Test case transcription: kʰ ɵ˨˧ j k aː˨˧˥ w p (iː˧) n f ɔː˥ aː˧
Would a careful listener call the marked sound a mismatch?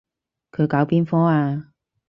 yes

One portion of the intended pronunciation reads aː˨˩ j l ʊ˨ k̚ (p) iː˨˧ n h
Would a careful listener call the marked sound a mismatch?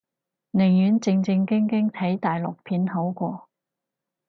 yes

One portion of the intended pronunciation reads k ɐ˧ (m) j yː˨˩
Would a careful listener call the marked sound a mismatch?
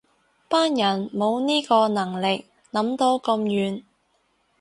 no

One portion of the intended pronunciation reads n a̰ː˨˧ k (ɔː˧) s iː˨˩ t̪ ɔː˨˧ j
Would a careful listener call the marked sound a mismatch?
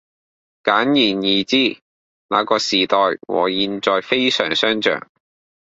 no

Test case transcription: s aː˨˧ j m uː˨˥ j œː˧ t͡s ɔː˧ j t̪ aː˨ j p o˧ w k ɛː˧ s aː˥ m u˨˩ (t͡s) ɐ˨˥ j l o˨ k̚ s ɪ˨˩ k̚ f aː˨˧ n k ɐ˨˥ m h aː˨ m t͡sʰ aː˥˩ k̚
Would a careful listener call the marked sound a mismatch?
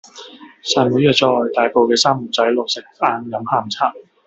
no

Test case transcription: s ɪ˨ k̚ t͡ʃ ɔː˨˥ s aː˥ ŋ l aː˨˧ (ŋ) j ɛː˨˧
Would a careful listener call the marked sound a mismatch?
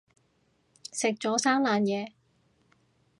yes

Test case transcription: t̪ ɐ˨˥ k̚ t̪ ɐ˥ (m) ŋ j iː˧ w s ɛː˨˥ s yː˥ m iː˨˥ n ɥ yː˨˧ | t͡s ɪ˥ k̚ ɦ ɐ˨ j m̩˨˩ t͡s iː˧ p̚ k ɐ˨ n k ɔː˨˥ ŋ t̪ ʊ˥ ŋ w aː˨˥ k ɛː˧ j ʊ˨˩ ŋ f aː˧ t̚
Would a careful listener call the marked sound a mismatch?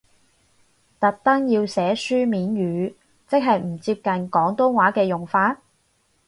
yes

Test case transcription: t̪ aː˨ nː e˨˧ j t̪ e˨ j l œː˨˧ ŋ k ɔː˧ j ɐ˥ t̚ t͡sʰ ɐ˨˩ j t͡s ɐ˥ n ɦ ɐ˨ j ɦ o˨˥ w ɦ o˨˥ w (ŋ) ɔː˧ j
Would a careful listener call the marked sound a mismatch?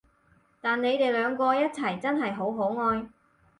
no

